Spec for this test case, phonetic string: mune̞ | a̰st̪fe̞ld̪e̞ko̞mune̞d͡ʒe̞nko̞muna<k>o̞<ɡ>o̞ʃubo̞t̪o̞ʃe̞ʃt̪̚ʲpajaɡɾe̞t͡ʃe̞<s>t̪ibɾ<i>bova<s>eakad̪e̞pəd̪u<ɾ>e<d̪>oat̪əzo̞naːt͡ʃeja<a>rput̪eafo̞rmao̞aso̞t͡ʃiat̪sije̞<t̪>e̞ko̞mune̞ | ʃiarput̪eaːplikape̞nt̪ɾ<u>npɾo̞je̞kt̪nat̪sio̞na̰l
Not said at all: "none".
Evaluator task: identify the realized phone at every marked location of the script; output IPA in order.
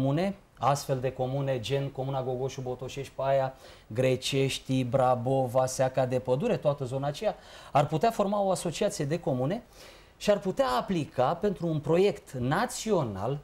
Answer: ɡ, ɡ, ʃ, a, s, ɾ, t̪, a, d̪, uː

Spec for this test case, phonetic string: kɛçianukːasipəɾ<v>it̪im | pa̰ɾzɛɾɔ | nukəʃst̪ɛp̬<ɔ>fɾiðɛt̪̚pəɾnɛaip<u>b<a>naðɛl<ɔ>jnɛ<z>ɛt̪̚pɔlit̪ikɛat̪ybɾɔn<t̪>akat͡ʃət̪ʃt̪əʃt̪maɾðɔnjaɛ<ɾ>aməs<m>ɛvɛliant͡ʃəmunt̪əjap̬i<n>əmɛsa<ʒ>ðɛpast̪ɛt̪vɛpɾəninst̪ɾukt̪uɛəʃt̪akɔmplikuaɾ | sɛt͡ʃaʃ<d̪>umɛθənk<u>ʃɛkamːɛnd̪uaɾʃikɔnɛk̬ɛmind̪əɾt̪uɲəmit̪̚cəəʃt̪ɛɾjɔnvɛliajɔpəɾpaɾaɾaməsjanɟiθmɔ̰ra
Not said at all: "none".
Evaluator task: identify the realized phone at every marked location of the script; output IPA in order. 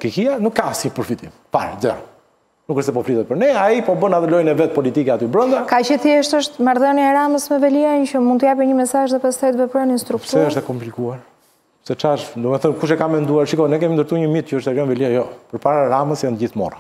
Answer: f, ɔ, ɔ, ə, ɔ, v, d̪, ɾ, m, ɲ, ʒ, d̪, u

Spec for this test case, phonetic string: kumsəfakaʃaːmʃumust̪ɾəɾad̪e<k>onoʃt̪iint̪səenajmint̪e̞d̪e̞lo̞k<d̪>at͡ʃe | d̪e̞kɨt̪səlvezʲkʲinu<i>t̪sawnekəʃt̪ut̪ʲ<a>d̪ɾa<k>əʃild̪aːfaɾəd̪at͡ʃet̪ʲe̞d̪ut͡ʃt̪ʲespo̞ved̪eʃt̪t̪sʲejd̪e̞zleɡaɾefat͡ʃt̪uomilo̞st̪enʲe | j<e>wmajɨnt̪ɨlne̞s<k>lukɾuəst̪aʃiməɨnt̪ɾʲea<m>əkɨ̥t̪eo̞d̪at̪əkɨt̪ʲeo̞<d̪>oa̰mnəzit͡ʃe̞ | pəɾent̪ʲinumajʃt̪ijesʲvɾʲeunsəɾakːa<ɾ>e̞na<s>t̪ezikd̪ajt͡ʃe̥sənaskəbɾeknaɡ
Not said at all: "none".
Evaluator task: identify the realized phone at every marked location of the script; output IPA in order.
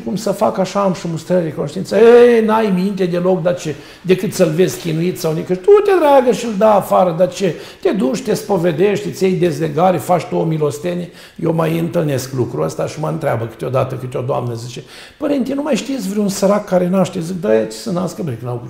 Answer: k, d̪, i, e, ɡ, e, k, b, d̪, ɾ, ʃ

